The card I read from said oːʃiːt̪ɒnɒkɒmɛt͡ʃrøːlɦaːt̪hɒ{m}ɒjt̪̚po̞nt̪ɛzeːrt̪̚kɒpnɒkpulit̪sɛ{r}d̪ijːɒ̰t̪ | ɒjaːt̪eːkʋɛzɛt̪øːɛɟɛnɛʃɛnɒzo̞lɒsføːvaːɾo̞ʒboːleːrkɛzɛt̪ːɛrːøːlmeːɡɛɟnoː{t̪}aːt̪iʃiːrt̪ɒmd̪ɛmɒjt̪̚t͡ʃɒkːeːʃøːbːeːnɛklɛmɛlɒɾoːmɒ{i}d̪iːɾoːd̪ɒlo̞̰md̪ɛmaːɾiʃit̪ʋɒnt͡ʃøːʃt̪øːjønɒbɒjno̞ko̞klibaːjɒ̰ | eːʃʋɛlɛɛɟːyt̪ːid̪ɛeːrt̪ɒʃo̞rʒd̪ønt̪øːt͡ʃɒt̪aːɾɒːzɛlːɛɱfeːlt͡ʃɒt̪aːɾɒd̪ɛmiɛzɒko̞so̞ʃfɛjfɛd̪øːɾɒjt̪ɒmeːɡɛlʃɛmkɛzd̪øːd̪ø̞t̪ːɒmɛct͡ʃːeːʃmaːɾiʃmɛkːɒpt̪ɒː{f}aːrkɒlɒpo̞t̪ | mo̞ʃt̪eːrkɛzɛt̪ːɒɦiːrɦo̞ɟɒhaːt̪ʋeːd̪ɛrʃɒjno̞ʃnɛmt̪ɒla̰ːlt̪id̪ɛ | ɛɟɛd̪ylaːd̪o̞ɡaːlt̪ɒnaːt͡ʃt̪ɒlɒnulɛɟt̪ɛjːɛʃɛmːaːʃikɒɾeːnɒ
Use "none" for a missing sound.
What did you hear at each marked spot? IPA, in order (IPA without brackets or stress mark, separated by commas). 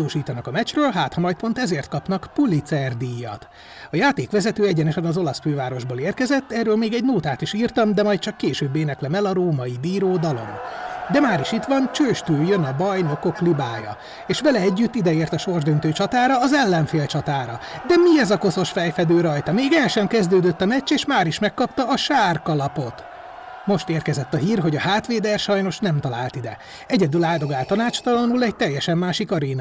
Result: m, r, t̪, i, ʃ